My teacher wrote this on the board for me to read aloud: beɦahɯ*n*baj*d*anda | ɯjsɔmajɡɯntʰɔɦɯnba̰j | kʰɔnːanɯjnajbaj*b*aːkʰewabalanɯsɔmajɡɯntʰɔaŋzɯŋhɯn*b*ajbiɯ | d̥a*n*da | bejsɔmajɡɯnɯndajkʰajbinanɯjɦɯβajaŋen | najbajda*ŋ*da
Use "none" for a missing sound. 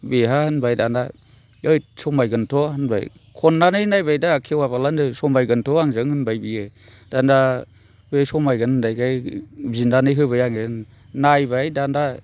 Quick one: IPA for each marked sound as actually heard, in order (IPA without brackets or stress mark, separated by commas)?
n, d, d, b, n, n